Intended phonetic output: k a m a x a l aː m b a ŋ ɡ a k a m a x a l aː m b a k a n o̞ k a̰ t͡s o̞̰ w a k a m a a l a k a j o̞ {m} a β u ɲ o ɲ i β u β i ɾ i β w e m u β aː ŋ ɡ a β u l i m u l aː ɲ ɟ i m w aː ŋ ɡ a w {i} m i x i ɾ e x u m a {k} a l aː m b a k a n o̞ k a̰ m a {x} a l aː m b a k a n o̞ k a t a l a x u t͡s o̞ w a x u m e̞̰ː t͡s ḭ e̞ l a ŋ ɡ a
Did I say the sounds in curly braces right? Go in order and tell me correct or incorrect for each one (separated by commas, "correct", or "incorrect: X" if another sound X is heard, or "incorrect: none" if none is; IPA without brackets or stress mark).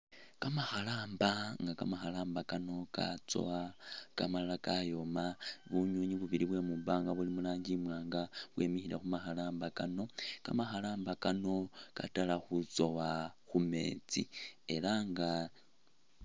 correct, incorrect: e, incorrect: x, correct